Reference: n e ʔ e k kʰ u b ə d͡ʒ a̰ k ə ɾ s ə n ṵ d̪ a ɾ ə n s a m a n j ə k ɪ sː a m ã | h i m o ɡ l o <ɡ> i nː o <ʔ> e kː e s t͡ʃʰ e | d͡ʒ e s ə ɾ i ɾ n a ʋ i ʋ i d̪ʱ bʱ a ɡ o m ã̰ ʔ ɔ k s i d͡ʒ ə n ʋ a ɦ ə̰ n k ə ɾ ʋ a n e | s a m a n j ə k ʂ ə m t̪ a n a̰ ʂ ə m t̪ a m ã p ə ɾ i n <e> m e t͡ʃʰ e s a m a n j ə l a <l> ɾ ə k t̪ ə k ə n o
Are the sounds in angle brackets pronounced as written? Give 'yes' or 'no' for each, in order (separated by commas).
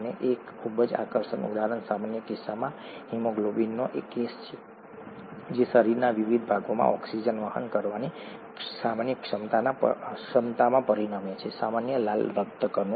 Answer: no, yes, no, yes